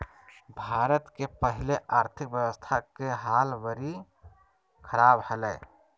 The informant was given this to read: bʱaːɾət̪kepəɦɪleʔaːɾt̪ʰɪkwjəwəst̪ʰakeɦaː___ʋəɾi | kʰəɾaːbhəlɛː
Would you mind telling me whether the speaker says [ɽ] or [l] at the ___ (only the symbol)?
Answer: l